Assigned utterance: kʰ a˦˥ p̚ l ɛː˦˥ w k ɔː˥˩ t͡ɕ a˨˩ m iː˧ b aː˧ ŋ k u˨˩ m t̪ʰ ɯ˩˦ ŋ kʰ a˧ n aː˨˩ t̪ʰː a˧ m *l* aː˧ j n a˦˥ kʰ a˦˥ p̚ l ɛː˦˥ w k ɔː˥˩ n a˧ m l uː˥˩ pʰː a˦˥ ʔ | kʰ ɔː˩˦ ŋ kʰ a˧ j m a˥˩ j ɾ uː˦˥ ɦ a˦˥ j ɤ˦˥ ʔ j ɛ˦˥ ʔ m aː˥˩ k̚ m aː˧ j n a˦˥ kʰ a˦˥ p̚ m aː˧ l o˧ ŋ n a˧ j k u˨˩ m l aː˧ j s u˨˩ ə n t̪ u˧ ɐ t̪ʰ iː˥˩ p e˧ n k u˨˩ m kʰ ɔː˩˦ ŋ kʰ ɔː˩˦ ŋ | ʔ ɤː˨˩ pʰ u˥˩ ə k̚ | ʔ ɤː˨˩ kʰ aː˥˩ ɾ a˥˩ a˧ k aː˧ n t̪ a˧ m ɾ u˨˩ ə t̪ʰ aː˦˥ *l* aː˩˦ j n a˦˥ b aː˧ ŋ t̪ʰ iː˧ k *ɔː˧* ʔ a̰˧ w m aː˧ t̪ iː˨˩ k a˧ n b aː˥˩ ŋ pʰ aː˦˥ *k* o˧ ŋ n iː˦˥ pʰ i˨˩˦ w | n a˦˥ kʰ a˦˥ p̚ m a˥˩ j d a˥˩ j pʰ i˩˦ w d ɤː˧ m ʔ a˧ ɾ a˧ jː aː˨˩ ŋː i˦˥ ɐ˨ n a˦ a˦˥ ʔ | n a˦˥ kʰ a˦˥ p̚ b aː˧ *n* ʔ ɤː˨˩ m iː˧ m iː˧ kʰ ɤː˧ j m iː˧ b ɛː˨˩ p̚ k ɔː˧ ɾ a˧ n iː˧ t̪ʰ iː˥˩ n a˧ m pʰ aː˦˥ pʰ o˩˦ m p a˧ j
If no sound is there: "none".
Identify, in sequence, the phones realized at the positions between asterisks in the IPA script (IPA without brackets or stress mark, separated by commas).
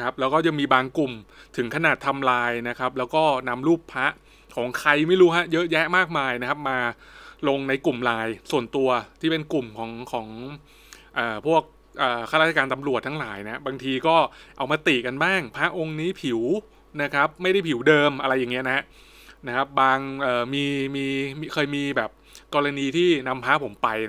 l, l, ɔː˥˩, ʔ, ŋ